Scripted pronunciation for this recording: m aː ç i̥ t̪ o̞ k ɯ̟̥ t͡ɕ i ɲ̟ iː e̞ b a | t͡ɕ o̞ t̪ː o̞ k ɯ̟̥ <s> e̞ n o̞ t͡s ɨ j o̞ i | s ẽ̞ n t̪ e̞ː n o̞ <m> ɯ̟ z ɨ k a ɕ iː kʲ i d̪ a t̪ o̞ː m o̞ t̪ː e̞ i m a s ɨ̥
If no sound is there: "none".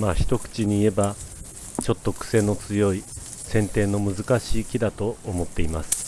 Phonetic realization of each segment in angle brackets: s, m

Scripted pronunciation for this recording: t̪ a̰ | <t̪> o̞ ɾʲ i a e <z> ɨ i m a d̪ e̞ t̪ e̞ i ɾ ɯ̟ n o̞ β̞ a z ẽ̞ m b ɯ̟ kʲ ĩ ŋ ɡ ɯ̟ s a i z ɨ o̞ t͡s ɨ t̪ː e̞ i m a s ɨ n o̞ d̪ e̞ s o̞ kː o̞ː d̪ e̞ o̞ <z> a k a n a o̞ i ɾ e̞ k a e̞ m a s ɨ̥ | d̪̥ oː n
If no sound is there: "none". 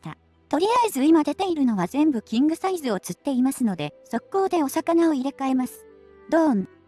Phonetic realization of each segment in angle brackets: t̪, z, s

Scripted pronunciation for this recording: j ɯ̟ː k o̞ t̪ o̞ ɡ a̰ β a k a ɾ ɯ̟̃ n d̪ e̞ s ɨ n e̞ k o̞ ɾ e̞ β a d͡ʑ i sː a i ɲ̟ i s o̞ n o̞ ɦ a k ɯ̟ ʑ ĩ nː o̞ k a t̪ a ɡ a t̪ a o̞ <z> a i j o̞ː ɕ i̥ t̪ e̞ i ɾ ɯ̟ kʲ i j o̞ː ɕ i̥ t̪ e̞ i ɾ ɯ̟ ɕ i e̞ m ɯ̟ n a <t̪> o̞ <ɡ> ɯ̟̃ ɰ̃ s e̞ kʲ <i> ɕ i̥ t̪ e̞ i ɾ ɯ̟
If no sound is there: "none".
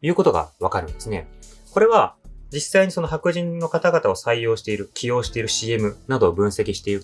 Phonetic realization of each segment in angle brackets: s, d̪, b, i

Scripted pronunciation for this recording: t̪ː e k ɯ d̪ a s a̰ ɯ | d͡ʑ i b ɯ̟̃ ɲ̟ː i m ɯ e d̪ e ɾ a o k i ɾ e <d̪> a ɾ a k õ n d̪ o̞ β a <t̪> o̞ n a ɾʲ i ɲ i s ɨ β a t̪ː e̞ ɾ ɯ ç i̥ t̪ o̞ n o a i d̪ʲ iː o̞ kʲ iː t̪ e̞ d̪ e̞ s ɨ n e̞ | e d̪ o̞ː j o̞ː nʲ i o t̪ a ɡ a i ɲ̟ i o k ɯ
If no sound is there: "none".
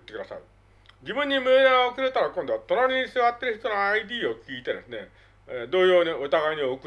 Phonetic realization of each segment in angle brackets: t̪, t̪

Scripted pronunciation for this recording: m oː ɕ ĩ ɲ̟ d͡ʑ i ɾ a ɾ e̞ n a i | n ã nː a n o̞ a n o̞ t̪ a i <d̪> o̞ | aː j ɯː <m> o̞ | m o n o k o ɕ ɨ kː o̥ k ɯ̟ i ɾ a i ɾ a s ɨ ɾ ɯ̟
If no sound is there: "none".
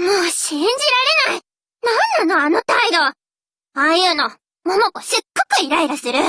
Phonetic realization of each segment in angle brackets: d̪, n

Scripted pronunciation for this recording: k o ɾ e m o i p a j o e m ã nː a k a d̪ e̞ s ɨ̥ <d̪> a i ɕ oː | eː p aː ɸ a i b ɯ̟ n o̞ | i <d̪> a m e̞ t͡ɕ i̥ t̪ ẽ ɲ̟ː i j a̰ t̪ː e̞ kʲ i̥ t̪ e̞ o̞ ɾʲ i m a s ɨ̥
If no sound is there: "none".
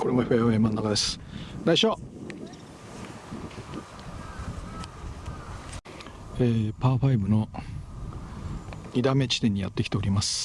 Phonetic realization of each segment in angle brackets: d̪, d̪

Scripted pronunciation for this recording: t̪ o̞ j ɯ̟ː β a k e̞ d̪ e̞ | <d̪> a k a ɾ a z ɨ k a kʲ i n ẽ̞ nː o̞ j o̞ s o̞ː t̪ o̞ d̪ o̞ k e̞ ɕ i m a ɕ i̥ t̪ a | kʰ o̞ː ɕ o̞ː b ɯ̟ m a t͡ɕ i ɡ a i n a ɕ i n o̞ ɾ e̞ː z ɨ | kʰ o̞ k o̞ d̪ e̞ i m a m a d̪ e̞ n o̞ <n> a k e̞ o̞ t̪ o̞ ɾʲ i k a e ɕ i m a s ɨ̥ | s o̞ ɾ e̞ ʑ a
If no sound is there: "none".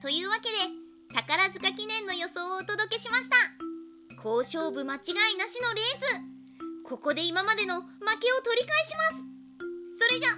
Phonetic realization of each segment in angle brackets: t̪, m

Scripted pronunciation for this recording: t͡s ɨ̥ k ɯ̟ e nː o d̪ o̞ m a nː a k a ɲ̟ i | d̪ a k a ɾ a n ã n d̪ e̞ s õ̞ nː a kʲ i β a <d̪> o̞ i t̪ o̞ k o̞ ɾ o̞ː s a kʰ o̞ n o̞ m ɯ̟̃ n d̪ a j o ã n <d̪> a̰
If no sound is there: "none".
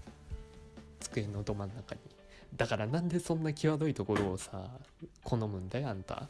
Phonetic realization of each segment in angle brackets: d̪, t̪

